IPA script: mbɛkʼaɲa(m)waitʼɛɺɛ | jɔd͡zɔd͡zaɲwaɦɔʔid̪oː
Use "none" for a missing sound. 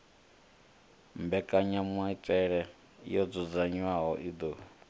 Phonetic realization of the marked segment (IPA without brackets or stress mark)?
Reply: m